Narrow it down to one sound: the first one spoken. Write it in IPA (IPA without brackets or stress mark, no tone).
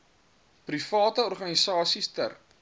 p